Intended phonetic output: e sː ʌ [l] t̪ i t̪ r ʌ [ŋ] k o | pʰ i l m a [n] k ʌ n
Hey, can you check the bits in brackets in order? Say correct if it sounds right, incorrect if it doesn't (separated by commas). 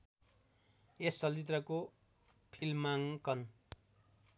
correct, incorrect, incorrect